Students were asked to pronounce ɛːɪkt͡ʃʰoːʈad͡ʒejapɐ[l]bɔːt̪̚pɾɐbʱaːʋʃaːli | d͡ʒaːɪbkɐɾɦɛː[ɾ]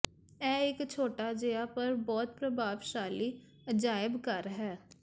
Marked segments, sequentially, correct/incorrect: incorrect: ɾ, incorrect: none

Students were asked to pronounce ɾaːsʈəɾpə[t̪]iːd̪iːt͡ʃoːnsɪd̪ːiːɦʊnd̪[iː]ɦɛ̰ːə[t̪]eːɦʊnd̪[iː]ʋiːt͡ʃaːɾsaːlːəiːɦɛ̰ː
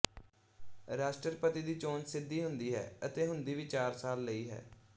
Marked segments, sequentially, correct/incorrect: correct, correct, correct, correct

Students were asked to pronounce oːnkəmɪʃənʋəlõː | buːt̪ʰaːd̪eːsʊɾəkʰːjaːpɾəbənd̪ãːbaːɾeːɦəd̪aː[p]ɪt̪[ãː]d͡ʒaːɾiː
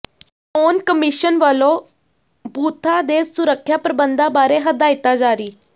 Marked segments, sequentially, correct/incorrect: incorrect: none, incorrect: aː

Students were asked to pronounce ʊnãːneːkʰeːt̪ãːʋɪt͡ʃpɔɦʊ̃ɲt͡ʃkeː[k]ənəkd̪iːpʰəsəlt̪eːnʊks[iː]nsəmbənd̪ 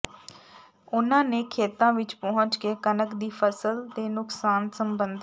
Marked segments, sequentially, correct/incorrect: correct, incorrect: aː

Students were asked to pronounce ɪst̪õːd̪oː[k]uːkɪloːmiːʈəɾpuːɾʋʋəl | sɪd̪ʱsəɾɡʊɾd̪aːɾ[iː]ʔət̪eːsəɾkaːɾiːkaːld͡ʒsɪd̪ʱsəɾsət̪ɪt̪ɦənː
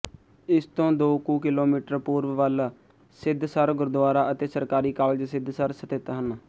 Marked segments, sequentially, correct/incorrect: correct, incorrect: aː

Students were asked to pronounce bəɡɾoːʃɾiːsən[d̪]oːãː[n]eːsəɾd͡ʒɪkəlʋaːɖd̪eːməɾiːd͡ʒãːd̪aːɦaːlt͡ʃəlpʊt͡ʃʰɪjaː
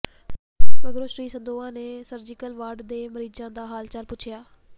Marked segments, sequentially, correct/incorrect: correct, correct

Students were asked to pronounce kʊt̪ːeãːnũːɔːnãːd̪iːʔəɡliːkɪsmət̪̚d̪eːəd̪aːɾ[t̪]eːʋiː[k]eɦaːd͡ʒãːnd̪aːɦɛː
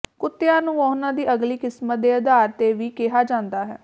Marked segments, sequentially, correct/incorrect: correct, correct

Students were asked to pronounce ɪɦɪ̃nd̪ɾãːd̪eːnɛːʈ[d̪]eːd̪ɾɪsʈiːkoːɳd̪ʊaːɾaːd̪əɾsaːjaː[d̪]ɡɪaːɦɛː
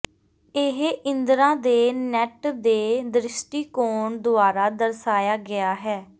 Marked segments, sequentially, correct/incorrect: correct, incorrect: none

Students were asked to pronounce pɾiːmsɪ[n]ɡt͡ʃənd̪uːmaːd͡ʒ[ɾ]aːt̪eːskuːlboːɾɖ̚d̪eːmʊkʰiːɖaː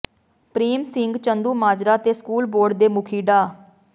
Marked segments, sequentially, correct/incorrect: incorrect: ŋ, correct

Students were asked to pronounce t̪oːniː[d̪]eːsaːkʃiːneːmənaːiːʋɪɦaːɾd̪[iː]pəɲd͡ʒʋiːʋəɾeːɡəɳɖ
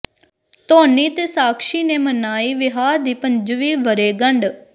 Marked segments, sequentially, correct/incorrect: incorrect: t̪, correct

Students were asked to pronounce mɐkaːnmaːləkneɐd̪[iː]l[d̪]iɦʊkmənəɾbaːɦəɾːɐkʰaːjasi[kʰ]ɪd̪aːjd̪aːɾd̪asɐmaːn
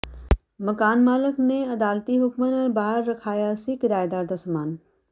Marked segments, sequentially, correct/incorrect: incorrect: aː, incorrect: t̪, incorrect: k

